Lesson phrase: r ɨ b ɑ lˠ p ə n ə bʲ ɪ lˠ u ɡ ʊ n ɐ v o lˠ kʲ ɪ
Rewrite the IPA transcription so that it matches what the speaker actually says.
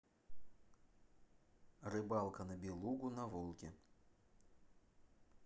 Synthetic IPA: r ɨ b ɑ lˠ k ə n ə bʲ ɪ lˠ u ɡ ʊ n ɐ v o lˠ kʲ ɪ